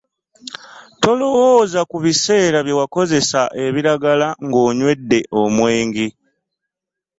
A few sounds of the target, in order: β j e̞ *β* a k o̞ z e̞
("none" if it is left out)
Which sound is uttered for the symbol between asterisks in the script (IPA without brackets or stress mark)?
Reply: w